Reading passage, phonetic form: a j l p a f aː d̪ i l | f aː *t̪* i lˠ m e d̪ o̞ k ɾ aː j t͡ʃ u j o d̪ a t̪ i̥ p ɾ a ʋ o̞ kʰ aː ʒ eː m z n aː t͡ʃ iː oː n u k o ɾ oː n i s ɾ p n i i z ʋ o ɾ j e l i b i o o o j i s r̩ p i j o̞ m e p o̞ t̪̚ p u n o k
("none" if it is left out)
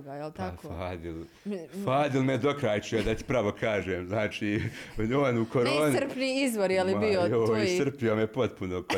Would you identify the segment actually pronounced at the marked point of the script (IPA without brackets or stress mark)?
d̪